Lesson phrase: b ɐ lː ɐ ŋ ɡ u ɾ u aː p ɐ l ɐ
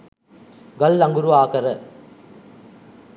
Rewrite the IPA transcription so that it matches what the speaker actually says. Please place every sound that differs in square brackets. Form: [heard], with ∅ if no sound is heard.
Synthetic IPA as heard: [ɡ] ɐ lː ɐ ŋ ɡ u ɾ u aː [k] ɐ [ɾ] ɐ